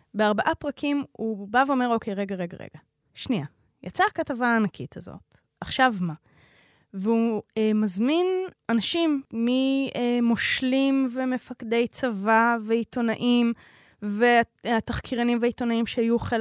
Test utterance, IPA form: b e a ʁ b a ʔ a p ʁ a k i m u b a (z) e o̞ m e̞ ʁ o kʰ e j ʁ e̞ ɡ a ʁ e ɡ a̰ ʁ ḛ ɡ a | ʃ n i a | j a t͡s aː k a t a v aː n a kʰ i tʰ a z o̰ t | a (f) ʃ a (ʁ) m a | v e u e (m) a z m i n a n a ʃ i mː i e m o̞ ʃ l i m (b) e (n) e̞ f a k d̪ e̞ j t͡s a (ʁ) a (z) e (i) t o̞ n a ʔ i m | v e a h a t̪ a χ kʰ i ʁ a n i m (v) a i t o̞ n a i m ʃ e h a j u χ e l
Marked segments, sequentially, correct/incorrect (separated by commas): incorrect, incorrect, incorrect, correct, incorrect, incorrect, incorrect, incorrect, correct, correct